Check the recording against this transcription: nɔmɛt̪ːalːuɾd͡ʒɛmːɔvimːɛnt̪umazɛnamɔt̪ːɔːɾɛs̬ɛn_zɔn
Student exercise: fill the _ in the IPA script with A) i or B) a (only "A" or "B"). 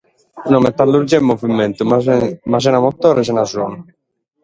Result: B